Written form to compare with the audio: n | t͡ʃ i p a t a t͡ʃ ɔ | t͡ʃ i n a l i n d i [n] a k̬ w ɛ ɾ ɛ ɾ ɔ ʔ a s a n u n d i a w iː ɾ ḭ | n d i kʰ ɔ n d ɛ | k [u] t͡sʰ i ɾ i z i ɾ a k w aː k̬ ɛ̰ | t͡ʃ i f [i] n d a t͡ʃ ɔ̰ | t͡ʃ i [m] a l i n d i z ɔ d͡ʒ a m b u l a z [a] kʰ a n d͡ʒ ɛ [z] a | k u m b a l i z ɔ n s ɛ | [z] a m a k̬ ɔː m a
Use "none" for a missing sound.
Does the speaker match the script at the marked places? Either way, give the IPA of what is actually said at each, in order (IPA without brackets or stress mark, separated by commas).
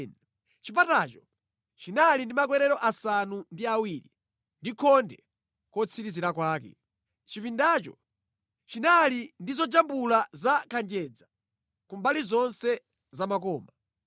m, ɔ, i, n, a, d͡z, z